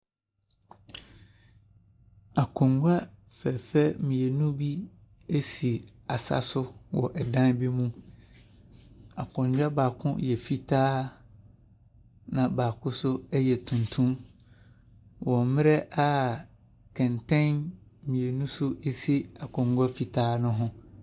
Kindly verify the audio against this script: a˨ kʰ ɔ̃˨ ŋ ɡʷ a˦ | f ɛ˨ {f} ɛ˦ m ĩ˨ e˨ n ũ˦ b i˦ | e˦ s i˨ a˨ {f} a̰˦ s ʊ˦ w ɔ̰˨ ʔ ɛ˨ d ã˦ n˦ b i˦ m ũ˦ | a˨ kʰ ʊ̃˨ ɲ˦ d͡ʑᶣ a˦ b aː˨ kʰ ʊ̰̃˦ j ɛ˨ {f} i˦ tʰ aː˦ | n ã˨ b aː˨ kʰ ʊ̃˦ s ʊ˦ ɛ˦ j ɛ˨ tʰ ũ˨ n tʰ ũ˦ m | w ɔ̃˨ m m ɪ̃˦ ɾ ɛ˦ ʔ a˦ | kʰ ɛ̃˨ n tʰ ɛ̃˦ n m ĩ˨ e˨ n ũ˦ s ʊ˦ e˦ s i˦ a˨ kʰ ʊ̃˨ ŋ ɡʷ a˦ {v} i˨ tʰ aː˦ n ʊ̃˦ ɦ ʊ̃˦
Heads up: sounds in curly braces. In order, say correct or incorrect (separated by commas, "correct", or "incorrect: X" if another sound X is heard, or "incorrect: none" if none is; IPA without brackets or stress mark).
correct, incorrect: s, correct, incorrect: f